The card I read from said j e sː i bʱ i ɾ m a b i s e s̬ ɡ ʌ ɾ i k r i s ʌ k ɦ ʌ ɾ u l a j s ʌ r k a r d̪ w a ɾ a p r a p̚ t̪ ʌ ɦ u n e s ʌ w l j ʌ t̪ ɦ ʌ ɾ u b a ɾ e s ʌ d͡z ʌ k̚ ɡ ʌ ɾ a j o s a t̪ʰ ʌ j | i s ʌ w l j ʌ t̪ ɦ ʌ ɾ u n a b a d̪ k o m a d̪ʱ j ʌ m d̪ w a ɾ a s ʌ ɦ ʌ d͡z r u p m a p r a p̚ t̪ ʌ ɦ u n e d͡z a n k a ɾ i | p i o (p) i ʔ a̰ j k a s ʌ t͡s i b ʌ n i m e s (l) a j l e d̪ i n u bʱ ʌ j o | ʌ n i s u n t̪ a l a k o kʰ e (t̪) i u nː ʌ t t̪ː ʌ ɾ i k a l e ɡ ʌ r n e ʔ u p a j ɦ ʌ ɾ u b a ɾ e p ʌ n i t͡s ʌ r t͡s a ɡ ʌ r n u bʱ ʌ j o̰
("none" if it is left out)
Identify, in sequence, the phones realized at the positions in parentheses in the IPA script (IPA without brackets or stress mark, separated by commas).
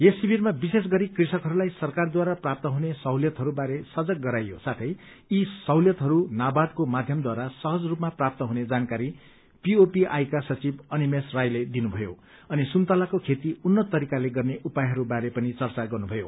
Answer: p, r, t̪